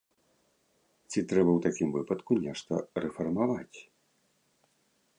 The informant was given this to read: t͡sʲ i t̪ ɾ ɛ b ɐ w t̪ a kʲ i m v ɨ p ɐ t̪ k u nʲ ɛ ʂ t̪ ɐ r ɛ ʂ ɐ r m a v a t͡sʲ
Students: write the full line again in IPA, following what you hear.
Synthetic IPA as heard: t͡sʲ i t̪ ɾ ɛ b ɐ w t̪ a kʲ i m v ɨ p ɐ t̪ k u nʲ ɛ ʂ t̪ ɐ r ɛ f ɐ r m a v a t͡sʲ